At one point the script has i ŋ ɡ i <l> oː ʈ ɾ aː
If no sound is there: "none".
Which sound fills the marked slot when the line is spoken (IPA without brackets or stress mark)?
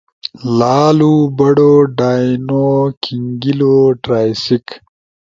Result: l